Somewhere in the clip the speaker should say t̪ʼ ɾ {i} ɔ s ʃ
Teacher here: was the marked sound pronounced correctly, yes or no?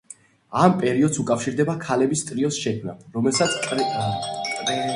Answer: yes